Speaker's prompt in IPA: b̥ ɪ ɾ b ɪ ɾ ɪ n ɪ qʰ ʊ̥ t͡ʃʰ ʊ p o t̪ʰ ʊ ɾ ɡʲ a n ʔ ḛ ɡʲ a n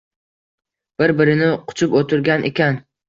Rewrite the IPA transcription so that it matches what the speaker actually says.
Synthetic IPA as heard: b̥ ɪ ɾ b ɪ ɾ ɪ n ɪ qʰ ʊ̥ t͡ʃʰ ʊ p o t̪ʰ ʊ ɾ ɡʲ a n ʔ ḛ kʲ a n